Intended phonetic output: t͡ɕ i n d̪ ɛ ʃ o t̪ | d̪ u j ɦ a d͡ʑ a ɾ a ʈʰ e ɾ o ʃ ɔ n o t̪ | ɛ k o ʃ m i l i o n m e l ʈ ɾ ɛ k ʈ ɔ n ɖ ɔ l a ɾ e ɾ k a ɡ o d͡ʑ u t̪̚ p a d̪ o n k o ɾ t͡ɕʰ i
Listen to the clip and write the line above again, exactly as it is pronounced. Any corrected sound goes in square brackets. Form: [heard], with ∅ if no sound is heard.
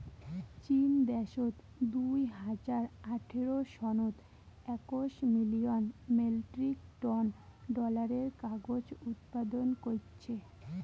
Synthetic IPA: t͡ɕ i n d̪ ɛ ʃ o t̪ | d̪ u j ɦ a d͡ʑ a ɾ a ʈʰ e ɾ o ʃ ɔ n o t̪ | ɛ k o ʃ m i l i o n m e l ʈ ɾ [i] k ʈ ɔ n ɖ ɔ l a ɾ e ɾ k a ɡ o d͡ʑ u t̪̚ p a d̪ o n k o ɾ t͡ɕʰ [e]